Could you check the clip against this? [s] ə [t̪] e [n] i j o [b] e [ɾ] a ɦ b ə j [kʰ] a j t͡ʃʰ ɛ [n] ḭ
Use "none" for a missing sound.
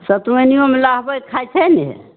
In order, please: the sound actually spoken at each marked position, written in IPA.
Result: s, t̪, n, m, l, kʰ, n

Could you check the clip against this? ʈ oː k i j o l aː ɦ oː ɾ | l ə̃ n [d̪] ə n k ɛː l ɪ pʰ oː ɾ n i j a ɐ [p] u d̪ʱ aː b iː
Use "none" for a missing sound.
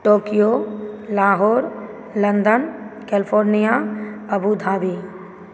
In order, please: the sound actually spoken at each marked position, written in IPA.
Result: d̪, b

